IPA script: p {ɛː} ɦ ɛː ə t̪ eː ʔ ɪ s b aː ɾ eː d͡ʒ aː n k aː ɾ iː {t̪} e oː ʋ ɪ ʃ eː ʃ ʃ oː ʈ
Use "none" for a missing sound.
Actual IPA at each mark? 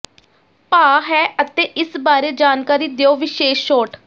aː, d̪

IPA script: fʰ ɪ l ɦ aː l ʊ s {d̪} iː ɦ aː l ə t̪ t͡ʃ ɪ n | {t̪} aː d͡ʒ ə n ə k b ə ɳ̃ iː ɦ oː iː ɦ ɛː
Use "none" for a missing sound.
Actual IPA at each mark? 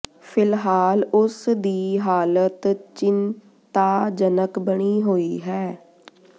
d̪, t̪

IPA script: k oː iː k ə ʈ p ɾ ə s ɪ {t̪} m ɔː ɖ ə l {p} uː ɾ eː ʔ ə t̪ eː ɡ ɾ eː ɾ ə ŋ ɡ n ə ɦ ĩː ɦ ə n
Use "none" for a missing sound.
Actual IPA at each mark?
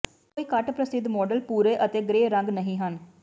d̪, p

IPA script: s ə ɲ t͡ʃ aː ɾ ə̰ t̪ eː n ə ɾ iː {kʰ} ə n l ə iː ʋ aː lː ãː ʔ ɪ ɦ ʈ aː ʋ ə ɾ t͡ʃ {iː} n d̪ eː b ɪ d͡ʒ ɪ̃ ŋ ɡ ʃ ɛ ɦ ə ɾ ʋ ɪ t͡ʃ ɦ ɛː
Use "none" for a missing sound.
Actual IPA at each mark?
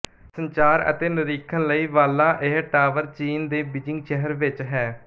kʰ, iː

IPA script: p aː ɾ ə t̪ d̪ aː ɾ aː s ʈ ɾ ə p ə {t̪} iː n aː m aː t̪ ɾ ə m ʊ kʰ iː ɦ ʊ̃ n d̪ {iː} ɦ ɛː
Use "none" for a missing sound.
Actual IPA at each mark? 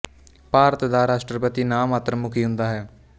t̪, aː

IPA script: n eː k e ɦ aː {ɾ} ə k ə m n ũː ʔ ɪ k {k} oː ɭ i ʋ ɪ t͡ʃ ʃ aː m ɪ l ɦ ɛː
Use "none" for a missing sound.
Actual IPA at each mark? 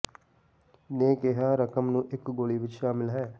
ɾ, ɡ

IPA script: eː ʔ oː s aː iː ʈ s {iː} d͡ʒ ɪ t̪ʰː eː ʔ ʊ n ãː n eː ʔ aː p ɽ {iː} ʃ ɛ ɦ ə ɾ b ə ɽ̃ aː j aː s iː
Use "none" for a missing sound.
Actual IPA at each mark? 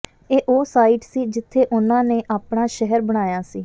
iː, aː

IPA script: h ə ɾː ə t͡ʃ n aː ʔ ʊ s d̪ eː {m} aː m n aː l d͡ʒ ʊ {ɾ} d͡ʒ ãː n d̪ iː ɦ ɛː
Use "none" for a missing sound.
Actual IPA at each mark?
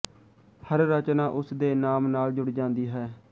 n, ɽ

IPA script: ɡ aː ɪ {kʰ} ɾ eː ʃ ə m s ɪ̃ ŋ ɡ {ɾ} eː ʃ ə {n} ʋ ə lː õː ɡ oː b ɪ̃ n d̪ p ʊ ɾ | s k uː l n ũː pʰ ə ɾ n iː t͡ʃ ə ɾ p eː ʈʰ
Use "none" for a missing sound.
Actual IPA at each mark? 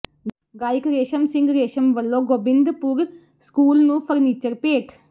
k, ɾ, m

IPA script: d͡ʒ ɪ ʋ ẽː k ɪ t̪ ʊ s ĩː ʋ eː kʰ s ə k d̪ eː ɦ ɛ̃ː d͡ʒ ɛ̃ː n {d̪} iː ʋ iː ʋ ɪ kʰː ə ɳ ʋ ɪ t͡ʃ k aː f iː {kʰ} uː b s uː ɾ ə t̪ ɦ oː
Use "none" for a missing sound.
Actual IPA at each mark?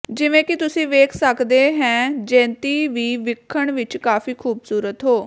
t̪, kʰ

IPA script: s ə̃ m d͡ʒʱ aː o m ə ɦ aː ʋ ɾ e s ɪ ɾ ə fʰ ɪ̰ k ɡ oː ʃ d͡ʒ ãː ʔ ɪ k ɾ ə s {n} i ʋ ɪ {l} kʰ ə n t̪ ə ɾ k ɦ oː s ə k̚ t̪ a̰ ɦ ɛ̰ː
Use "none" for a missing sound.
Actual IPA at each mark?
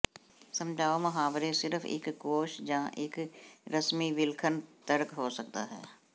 m, l

